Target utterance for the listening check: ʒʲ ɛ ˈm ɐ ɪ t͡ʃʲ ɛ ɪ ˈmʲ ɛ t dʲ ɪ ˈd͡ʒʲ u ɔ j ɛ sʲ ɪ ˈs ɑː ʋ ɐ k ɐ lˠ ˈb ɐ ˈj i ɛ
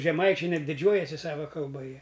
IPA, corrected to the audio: ʒʲ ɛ ˈm ɐ ɪ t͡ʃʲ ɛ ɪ ˈnʲ ɛ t dʲ ɪ ˈd͡ʒʲ u ɔ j ɛ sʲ ɪ ˈs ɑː ʋ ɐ k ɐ lˠ ˈb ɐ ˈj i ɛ